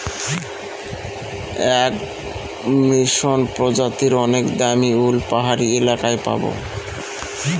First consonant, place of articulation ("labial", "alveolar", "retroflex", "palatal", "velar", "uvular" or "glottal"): velar